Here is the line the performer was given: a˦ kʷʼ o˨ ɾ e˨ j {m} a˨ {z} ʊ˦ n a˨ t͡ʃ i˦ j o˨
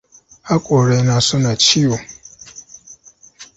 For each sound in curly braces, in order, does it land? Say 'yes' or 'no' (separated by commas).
no, no